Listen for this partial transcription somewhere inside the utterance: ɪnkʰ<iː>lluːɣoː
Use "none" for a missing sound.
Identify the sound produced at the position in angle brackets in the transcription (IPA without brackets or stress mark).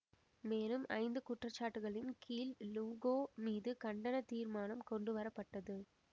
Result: iː